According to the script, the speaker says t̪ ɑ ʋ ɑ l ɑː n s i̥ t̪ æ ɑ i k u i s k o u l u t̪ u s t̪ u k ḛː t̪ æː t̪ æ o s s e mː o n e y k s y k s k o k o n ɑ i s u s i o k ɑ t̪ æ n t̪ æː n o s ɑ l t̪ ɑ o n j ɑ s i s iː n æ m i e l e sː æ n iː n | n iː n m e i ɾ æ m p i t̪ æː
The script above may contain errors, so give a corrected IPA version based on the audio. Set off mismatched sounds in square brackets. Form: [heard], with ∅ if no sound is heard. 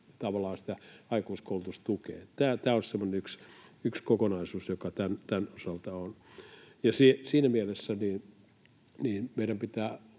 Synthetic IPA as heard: t̪ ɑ ʋ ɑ l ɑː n s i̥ t̪ æ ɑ i k u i s k o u l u t̪ u s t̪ u k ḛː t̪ æː t̪ [æː] o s s e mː o n e y k s y k s k o k o n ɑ i s [uː] s [j] o k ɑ t̪ æ n t̪ [æ] n o s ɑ l t̪ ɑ o n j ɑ s i s iː n æ m i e l e sː æ n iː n | n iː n m e i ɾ æ m p i t̪ æː

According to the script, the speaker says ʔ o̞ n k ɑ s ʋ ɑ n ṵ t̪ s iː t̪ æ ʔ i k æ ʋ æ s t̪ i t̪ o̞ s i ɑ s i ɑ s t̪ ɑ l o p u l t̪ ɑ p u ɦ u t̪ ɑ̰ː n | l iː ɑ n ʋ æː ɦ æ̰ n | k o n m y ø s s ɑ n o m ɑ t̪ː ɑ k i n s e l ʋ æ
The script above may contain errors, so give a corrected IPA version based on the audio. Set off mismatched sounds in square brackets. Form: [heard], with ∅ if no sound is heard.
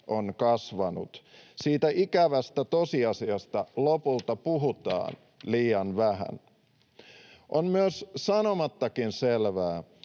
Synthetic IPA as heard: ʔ o̞ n k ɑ s ʋ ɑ n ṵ t̪ s iː t̪ æ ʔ i k æ ʋ æ s t̪ [æ] t̪ o̞ s i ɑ s i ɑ s t̪ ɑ l o p u l t̪ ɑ p u ɦ u t̪ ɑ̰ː n | l iː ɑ n ʋ [æ] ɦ æ̰ n | [ʔ] o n m y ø s s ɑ n o m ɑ t̪ː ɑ k i n s e l ʋ [æː]

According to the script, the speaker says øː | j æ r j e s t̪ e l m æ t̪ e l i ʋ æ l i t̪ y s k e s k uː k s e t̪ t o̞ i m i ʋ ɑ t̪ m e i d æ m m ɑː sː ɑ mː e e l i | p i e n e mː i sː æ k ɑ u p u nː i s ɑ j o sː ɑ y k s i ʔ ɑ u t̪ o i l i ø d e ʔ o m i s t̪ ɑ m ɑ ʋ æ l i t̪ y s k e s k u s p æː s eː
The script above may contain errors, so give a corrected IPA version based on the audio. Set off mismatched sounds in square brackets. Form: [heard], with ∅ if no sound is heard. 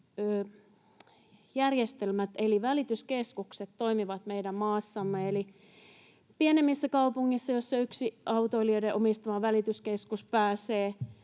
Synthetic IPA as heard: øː | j æ r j e s t̪ e l m æ t̪ e l i ʋ æ l i t̪ y s k e s k [u] k s e t̪ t o̞ i m i ʋ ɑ t̪ m e i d æ m m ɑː sː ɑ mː e e l i | p i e n e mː i sː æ k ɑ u p u [ŋː] i [sː] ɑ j o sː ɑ y k s i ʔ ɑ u t̪ o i l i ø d e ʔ o m i s t̪ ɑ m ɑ ʋ æ l i t̪ y s k e s k u s p æː s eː

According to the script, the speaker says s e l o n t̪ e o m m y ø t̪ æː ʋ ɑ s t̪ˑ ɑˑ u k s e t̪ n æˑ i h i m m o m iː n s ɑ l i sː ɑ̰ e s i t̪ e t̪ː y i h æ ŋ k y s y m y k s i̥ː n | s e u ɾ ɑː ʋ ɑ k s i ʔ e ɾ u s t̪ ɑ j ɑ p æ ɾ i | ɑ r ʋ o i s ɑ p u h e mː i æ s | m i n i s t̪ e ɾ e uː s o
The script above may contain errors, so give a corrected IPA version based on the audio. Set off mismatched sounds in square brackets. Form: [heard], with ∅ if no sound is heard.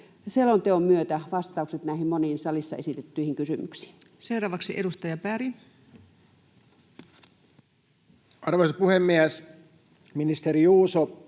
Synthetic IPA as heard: s e l o n t̪ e o m m y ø t̪ [æ] ʋ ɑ s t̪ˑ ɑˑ u k s e t̪ n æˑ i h i m m o [n] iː n s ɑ l i sː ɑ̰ e s i t̪ e t̪ː y i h [i] ŋ k y s y m y k s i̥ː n | s e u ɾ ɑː ʋ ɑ k s i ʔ e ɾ u s t̪ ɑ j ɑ p æ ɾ i | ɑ r ʋ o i s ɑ p u h e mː i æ s | m i n i s t̪ e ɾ [i] uː s o

